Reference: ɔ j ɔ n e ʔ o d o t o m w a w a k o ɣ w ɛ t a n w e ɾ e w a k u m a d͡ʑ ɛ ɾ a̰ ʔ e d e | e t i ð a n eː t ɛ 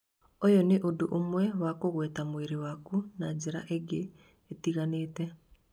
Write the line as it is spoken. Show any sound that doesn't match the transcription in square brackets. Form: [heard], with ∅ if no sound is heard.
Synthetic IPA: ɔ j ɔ n e ʔ o d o [ʔ] o m w [ɛ] w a k o ɣ w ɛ t a [m] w e ɾ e w a k u [n] a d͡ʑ [e] ɾ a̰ ʔ e [ɡ] e | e t i [ɣ] a n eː t ɛ

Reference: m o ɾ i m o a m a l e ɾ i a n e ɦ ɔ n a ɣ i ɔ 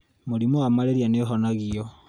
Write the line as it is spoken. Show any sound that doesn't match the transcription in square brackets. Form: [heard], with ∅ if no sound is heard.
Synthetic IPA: m o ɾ i m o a m a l e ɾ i a n e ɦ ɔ n a ɣ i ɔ

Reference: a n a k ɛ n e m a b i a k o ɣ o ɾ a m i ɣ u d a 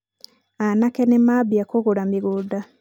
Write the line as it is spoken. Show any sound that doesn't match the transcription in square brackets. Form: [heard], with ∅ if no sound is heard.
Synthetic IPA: a n a k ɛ n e m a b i a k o ɣ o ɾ a m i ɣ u d a

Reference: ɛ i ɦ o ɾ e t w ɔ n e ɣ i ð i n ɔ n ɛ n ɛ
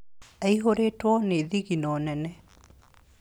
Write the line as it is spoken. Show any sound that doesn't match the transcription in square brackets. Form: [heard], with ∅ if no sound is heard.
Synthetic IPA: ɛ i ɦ o ɾ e t w ɔ n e [ð] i [ɣ] i n ɔ n ɛ n ɛ

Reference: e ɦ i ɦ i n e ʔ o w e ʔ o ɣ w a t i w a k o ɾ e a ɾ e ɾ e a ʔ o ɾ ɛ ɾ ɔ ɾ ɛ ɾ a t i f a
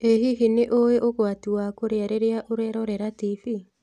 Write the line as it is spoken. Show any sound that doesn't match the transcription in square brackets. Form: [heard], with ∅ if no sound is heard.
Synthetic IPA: e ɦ i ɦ i n e ʔ o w e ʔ o ɣ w a t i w a k o ɾ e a ɾ e ɾ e a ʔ o ɾ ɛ ɾ ɔ ɾ ɛ ɾ a t i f [i]

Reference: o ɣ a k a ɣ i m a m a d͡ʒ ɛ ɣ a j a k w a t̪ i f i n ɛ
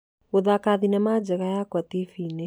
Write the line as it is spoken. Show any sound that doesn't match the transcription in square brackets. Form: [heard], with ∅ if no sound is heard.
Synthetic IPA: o [ð] a k a [ð] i [n] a m a d͡ʒ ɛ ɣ a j a k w a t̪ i f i n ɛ

